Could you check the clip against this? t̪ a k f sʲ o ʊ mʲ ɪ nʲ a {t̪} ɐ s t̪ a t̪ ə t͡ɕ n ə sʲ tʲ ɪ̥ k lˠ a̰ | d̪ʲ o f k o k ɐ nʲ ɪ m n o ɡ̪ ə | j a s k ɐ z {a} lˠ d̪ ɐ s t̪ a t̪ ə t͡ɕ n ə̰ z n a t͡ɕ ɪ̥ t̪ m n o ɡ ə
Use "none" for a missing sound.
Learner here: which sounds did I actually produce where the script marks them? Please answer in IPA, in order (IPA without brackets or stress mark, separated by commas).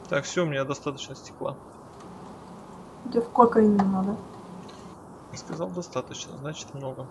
d̪, a